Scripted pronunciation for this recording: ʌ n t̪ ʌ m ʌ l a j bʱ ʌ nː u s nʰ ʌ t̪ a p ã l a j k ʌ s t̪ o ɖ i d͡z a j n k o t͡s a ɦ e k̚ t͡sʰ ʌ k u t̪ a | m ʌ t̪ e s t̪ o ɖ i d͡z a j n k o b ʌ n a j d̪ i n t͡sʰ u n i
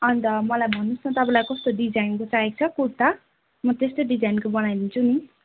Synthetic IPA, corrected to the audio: ʌ n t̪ ʌ m ʌ l a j bʱ ʌ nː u s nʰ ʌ t̪ ʌ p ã l a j k ʌ s t̪ o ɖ i d͡z a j n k o t͡s a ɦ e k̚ t͡sʰ ʌ k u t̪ a | m ʌ t̪ e s t̪ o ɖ i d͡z a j n k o b ʌ n a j d̪ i n t͡sʰ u n i